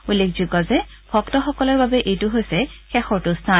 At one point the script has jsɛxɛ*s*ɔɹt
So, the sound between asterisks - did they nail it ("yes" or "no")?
no